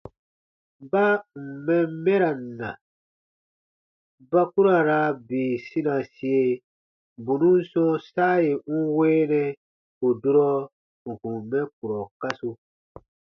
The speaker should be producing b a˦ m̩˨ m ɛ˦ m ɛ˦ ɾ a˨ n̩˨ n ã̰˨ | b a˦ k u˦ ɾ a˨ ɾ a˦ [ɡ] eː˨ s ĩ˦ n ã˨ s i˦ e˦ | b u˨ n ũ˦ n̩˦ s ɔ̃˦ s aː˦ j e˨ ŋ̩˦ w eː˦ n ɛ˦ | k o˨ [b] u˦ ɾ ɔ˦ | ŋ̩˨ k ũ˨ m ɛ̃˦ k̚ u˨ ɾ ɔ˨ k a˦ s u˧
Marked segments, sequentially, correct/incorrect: incorrect: b, incorrect: d

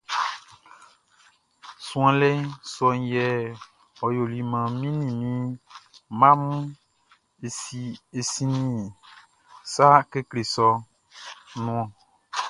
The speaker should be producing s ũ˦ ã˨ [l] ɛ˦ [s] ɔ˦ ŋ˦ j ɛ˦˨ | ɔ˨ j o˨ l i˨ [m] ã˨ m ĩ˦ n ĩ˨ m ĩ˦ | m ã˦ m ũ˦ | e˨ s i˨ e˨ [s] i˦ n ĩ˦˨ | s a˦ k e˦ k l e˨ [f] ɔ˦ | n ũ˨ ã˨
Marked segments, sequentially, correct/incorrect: correct, correct, correct, correct, incorrect: s

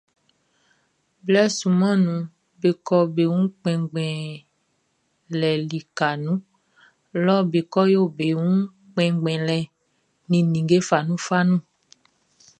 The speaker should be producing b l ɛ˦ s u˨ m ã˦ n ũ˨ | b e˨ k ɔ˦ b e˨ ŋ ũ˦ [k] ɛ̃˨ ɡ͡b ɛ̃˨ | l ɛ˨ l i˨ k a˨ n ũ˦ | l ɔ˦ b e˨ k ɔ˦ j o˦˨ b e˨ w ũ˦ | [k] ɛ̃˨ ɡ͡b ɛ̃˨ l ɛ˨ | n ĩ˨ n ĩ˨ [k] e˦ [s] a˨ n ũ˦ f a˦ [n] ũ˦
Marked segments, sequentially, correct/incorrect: incorrect: k͡p, incorrect: k͡p, incorrect: ɡ, incorrect: f, correct

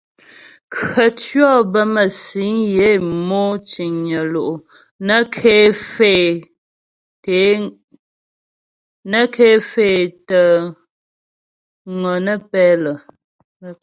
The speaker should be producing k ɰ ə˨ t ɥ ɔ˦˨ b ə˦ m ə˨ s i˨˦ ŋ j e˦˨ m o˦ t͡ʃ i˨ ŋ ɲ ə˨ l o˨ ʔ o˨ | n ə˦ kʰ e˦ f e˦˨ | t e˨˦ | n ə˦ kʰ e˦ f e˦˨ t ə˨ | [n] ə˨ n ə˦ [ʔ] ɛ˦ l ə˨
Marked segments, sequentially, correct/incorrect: incorrect: ŋ, incorrect: p

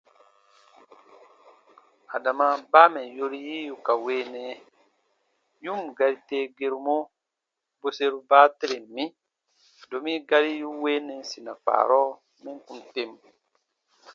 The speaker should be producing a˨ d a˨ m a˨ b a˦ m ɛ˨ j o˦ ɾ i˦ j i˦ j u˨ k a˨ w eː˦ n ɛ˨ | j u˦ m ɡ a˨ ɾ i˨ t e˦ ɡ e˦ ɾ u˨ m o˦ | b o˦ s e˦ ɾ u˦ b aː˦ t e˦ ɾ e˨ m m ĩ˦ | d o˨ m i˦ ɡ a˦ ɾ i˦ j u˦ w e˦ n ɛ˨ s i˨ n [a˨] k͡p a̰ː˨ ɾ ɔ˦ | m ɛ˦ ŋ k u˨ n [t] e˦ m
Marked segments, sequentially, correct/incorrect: correct, correct

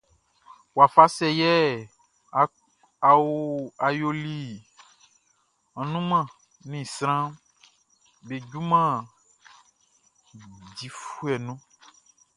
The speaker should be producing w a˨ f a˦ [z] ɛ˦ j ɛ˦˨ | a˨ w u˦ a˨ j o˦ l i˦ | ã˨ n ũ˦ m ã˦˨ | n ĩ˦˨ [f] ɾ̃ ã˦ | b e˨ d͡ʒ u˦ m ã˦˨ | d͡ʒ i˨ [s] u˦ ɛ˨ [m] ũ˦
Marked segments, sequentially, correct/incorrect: incorrect: s, incorrect: s, incorrect: f, incorrect: n

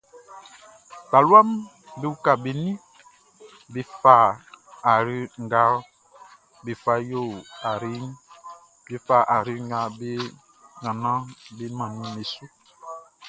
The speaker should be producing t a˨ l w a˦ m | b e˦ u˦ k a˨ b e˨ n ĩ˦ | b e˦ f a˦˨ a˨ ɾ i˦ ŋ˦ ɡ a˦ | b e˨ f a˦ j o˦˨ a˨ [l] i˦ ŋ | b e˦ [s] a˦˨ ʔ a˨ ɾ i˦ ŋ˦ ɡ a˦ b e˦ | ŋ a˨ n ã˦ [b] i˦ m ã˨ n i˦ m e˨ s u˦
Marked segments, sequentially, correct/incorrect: incorrect: ɾ, incorrect: f, correct

